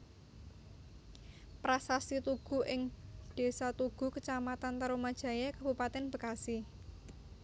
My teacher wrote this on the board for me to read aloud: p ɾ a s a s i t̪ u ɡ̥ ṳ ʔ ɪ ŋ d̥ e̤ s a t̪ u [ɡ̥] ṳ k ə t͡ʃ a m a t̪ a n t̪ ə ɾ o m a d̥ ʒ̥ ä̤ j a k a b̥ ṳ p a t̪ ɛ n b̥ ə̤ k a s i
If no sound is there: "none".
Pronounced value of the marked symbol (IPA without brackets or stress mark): ɡ̥